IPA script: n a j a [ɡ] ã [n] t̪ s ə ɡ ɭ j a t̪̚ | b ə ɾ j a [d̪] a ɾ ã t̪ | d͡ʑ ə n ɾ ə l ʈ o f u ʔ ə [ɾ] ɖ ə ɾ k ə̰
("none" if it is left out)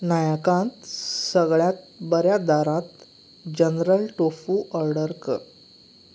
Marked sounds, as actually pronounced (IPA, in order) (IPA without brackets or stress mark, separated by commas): k, n, d̪, ɾ